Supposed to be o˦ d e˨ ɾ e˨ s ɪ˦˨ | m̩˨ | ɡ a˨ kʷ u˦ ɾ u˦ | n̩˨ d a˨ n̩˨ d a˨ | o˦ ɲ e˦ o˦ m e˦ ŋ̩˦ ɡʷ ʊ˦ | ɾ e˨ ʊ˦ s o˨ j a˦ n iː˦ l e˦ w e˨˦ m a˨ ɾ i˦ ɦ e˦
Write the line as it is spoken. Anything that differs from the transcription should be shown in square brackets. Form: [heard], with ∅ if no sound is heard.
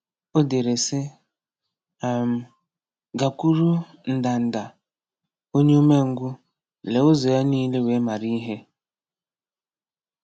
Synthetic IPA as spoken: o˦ d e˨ ɾ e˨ s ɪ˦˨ | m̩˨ | ɡ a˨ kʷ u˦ ɾ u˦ | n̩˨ d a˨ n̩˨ d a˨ | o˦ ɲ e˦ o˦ m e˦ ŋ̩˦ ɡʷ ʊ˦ | [l] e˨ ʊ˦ [z] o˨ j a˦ n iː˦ l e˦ w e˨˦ m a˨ ɾ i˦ ɦ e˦